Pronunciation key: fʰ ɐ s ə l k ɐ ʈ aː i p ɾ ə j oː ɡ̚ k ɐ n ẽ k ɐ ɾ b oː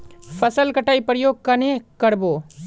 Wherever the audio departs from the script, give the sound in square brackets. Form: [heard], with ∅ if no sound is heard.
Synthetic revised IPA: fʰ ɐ s ə l k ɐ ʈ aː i p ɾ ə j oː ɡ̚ k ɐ n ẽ k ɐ ɾ b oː

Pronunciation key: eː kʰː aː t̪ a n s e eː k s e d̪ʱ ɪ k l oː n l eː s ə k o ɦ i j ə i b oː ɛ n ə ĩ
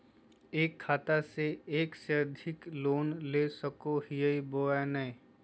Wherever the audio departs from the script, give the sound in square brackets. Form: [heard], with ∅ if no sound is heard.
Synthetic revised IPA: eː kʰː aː t̪ a [∅] s e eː k s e d̪ʱ ɪ k l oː n l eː s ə k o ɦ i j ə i b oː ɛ n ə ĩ

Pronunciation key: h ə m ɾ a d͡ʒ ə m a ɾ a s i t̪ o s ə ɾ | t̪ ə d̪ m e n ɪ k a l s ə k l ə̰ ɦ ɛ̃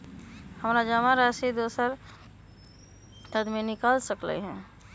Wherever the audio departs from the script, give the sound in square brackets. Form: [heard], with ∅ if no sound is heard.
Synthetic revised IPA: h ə m ɾ a d͡ʒ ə m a ɾ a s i [d̪] o s ə ɾ | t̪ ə d̪ m e n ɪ k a l s ə k l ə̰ ɦ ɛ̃

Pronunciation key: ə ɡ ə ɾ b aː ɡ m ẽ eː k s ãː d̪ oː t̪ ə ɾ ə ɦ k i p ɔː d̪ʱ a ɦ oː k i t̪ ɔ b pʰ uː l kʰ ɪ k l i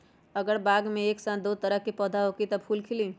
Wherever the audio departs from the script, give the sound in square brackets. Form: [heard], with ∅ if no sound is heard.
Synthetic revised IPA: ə ɡ ə ɾ b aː ɡ m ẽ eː k s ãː d̪ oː t̪ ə ɾ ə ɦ k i p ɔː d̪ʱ a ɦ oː k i t̪ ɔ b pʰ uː l kʰ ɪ [∅] l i

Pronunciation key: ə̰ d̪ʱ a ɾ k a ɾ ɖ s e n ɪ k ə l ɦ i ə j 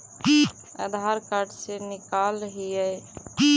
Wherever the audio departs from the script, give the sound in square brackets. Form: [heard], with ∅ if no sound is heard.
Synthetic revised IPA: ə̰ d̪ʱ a ɾ k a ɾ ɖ s e n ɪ k [a] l ɦ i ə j

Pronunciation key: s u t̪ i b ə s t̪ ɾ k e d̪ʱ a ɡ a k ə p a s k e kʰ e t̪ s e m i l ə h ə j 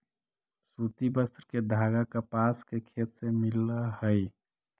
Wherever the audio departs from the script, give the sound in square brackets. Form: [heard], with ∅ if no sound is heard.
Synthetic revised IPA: s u t̪ i b ə s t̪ ɾ k e d̪ʱ a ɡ a k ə p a s k e kʰ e t̪ s e m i l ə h ə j

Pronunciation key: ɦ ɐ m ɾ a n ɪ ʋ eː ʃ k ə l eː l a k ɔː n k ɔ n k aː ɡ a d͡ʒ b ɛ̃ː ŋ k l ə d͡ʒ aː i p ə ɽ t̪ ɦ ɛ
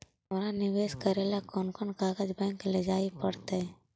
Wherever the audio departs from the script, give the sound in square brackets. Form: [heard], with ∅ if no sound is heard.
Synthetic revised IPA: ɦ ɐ m ɾ a n ɪ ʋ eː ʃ k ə [ɾ] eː l a k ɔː n k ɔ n k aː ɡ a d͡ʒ b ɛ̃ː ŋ k l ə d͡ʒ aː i p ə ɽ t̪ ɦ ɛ

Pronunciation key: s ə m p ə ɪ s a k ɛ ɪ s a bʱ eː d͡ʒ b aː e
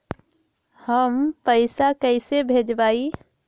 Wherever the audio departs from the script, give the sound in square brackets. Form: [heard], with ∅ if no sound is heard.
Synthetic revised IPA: [h] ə m p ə ɪ s a k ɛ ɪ s [e] bʱ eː d͡ʒ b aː [i]

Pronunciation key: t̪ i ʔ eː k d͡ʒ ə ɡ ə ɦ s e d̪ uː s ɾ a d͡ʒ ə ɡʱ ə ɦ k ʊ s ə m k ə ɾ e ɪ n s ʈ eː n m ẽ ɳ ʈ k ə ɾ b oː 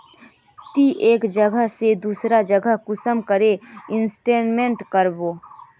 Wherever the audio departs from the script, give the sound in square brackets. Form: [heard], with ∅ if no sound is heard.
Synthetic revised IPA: t̪ i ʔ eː k d͡ʒ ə ɡ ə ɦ s e d̪ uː s ɾ a d͡ʒ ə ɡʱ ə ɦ k ʊ s ə m k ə ɾ e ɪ n s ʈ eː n m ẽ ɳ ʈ k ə ɾ b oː

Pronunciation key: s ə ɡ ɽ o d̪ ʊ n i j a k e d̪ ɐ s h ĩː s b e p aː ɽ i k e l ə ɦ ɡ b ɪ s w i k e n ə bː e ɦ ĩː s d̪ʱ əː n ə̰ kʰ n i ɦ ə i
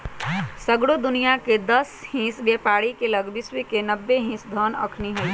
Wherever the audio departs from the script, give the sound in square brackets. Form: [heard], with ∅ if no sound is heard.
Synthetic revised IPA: s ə ɡ ɽ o d̪ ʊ n i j a k e d̪ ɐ s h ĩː s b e p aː ɽ i k e l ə [∅] ɡ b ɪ s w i k e n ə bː e ɦ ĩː s d̪ʱ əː n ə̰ kʰ n i ɦ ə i

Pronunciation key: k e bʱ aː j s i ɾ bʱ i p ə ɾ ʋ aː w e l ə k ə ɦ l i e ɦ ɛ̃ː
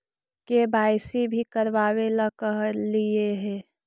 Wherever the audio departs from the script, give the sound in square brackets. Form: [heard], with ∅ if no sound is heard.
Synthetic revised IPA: k e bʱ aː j s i [∅] bʱ i [k] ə ɾ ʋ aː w e l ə k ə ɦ l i e ɦ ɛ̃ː

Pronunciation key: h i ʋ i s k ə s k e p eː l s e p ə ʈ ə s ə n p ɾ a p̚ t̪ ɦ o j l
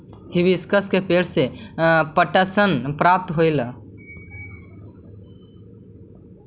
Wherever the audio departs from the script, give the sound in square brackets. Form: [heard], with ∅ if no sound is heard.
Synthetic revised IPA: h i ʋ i s k ə s k e p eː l s e p ə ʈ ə s ə n p ɾ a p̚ t̪ ɦ o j l

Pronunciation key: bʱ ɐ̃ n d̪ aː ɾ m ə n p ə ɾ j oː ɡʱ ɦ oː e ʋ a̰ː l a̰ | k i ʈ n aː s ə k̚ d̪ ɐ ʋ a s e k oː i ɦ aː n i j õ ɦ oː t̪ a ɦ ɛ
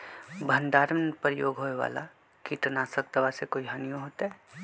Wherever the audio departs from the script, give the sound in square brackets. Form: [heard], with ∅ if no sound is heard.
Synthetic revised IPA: bʱ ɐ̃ n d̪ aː ɾ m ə n p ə ɾ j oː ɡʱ ɦ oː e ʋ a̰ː l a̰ | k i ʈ n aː s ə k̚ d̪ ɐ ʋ a s e k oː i ɦ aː n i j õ ɦ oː t̪ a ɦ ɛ

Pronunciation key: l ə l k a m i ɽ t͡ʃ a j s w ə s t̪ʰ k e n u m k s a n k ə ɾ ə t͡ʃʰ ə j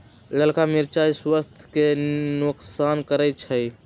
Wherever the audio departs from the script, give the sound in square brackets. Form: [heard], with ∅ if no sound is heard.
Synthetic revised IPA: l ə l k a m i [ɾ] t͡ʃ a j s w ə s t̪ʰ k e n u [∅] k s a n k ə ɾ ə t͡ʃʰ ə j

